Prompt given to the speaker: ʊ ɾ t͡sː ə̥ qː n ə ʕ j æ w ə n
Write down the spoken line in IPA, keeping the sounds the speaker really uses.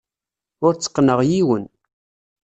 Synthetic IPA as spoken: ʊ ɾ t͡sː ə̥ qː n ə ʁ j i w ə n